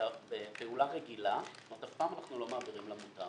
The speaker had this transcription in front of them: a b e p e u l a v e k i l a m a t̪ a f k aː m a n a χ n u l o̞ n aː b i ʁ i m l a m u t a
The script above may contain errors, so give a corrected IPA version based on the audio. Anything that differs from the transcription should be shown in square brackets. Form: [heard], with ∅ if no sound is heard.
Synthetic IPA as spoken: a b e p e u l a [ʁ] e [ɡ] i l a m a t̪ a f [p] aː m a n a χ n u l o̞ [m] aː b i ʁ i m l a m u t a